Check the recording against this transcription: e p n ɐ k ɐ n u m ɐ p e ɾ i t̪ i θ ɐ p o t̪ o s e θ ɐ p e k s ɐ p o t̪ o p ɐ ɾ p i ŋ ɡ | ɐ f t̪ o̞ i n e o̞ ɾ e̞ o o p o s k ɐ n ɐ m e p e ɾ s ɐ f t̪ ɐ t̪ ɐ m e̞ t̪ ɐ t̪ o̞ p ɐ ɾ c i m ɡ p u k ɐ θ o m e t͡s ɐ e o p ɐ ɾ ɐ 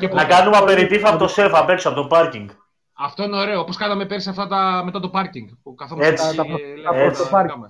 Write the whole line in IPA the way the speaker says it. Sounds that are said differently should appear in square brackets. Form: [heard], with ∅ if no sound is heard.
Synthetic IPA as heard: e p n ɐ k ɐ n u m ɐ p e ɾ i t̪ i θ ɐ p o t̪ o s e [f] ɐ p e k s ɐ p o t̪ o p ɐ ɾ [c] i ŋ ɡ | ɐ f t̪ o̞ i n e o̞ ɾ e̞ o o p o s k ɐ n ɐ m e p e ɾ s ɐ f t̪ ɐ t̪ ɐ m e̞ t̪ ɐ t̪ o̞ p ɐ ɾ c i [ŋ] ɡ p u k ɐ θ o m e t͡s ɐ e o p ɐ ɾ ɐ